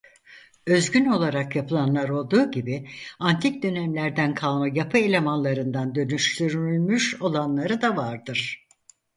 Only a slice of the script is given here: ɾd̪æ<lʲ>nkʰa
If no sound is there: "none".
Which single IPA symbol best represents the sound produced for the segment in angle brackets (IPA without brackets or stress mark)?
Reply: none